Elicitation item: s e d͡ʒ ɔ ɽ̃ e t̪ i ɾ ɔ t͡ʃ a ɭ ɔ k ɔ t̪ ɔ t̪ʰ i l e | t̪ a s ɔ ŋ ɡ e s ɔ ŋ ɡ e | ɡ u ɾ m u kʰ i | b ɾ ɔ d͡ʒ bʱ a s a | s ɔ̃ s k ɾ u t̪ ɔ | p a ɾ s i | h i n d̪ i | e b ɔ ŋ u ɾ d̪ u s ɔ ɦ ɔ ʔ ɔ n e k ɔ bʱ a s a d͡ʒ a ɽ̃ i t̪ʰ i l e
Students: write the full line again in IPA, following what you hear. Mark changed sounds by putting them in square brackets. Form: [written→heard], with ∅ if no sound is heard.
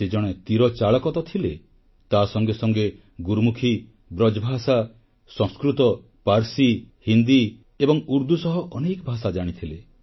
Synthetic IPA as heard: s e d͡ʒ ɔ ɽ̃ e t̪ i ɾ ɔ t͡ʃ a ɭ ɔ k ɔ t̪ ɔ t̪ʰ i l e | t̪ a s ɔ ŋ ɡ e s ɔ ŋ ɡ e | ɡ u ɾ m u kʰ i | b ɾ ɔ d͡ʒ bʱ a s a | s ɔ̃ s k ɾ u t̪ ɔ | p a ɾ s i | h i n d̪ i | e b ɔ ŋ u ɾ d̪ u s ɔ ɦ ɔ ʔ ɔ n e k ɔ bʱ a s a d͡ʒ a ɽ̃ i t̪ʰ i l e